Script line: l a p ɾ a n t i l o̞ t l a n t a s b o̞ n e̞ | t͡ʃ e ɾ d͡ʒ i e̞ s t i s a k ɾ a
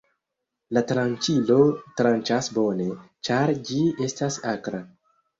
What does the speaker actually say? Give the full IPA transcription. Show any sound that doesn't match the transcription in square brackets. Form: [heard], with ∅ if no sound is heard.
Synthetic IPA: l a [t] ɾ a n [t͡ʃ] i l o̞ t [ɾ] a n [t͡ʃ] a s b o̞ n e̞ | t͡ʃ [a] ɾ d͡ʒ i e̞ s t [a] s a k ɾ a